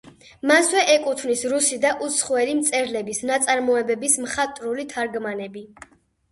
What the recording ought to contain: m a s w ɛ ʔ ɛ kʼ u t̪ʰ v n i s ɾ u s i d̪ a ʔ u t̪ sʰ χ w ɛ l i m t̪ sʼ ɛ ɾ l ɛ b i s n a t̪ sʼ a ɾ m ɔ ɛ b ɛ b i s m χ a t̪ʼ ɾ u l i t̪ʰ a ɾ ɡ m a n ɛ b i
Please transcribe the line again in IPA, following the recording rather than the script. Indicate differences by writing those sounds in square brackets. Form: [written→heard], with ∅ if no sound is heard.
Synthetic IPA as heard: m a s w ɛ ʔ ɛ kʼ u t̪ʰ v n i s ɾ u s i d̪ a ʔ u t̪ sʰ χ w ɛ l i m t̪ sʼ ɛ ɾ l ɛ b i s n a t̪ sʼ a ɾ m ɔ ɛ b ɛ b i s m χ a t̪ʼ ɾ u l i t̪ʰ a ɾ ɡ m a n ɛ b i